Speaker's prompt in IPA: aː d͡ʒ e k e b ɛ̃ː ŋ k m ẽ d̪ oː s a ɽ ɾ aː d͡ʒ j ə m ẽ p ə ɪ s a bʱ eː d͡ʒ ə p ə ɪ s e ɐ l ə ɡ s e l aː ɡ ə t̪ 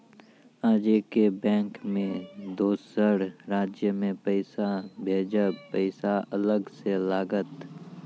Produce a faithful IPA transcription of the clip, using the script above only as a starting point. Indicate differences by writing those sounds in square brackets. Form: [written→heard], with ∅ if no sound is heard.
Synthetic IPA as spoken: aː d͡ʒ e k e b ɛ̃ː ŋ k m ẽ d̪ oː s [a→ə] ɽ ɾ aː d͡ʒ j ə m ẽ p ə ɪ s a bʱ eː d͡ʒ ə p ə ɪ s [e→a] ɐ l ə ɡ s e l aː ɡ ə t̪

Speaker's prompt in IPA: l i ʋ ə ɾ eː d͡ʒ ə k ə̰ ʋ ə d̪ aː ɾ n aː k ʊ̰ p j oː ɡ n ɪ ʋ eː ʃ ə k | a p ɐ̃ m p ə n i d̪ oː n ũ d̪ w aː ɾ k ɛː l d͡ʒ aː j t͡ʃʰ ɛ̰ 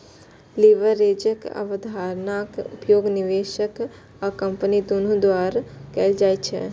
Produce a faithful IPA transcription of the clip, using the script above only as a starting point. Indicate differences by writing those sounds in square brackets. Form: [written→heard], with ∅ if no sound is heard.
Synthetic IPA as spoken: l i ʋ ə ɾ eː d͡ʒ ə k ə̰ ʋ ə d̪ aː ɾ n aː k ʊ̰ p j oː ɡ n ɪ ʋ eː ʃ ə k | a [p→k] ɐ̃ m p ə n i d̪ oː n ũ d̪ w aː ɾ k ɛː l d͡ʒ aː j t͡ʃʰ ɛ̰

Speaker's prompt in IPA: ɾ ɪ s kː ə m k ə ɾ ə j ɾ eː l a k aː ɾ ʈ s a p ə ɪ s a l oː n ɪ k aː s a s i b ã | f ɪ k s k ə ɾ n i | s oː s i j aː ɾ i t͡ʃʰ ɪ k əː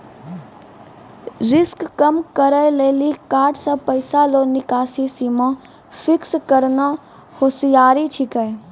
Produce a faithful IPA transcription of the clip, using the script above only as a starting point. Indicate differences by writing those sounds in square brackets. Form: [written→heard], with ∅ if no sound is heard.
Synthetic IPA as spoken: ɾ ɪ s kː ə m k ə ɾ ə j [ɾ→l] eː l [a→i] k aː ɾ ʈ s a p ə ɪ s a l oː n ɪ k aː s [a→i] s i [b→m] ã | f ɪ k s k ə ɾ n [i→a] | [s→h] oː s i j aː ɾ i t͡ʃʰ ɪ k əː

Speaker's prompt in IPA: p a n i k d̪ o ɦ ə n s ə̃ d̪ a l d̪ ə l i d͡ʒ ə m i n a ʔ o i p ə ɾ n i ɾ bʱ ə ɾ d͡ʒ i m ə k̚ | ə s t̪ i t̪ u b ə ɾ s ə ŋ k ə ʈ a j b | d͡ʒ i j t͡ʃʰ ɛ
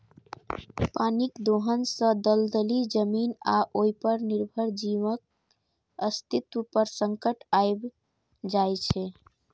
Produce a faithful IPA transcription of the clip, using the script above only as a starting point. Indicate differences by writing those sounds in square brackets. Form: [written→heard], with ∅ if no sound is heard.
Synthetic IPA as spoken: p a n i k d̪ o ɦ ə n s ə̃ d̪ [a→ə] l d̪ ə l i d͡ʒ ə m i n a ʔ o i p ə ɾ n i ɾ bʱ ə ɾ d͡ʒ i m ə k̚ | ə s t̪ i t̪ u [b→p] ə ɾ s ə ŋ k ə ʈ a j b | d͡ʒ [i→a] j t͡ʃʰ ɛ

